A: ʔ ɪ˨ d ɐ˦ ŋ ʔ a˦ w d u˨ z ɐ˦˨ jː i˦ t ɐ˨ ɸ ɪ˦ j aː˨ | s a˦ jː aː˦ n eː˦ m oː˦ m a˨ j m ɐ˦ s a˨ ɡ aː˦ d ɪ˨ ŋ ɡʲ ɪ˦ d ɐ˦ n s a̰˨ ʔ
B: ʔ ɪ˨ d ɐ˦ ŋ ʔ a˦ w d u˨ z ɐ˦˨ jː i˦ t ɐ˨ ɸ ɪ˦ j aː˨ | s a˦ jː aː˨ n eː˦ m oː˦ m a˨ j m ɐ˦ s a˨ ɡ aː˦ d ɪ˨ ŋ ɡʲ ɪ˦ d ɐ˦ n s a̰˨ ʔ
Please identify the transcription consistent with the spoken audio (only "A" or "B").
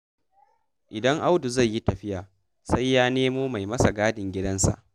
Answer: A